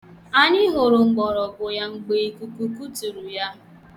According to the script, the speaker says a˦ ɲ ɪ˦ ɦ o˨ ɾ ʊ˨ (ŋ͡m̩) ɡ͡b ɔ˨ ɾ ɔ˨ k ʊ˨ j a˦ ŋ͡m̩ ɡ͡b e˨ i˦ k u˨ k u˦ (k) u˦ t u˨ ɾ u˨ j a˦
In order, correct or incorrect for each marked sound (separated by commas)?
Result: correct, correct